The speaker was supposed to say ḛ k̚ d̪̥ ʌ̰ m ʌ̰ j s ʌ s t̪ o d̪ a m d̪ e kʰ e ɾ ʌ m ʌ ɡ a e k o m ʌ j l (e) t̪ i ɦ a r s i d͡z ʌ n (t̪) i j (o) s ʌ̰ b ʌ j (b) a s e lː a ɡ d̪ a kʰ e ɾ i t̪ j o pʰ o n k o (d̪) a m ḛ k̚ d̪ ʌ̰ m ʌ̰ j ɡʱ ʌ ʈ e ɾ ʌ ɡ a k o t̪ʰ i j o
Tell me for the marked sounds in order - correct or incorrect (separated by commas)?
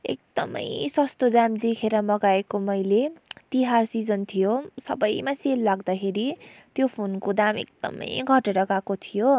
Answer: correct, incorrect, correct, incorrect, correct